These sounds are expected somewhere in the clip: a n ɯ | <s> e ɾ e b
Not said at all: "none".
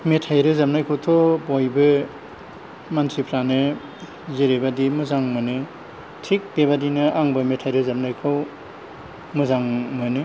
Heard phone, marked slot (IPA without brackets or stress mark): z